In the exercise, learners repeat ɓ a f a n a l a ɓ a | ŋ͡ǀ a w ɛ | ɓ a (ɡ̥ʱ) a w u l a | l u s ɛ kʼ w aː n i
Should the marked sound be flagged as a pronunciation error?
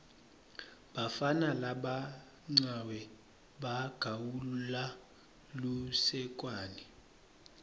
no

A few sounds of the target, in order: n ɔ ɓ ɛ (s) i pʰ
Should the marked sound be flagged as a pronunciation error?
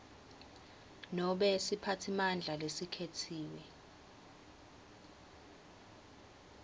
no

